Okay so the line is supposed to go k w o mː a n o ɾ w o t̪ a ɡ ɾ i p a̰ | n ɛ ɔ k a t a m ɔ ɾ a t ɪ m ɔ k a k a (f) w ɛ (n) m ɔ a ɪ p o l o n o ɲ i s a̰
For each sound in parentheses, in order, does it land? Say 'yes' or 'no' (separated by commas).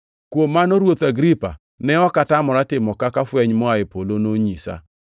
yes, no